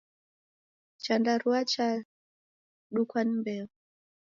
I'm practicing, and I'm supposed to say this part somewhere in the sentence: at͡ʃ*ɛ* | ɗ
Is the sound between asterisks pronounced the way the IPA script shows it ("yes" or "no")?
no